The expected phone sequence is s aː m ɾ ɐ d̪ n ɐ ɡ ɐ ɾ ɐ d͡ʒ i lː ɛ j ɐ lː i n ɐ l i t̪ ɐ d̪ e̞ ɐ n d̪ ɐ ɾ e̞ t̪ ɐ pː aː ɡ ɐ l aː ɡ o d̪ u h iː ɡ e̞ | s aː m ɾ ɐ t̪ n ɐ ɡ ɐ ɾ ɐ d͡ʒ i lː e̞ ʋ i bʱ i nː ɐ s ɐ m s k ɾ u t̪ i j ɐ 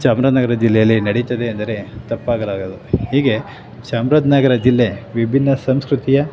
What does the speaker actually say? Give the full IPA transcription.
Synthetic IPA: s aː m ɾ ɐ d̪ n ɐ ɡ ɐ ɾ ɐ d͡ʒ i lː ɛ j ɐ lː i n ɐ ɽ i t̪ ɐ d̪ e̞ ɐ n d̪ ɐ ɾ e̞ t̪ ɐ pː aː ɡ ɐ l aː ɡ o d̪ u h iː ɡ e̞ | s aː m ɾ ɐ d̪ n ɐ ɡ ɐ ɾ ɐ d͡ʒ i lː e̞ ʋ i bʱ i nː ɐ s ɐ m s k ɾ u t̪ i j ɐ